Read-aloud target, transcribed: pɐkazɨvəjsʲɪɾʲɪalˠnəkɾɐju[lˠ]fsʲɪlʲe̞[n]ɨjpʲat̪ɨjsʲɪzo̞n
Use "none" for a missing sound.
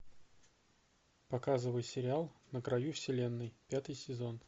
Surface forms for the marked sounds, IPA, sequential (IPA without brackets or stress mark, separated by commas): none, nː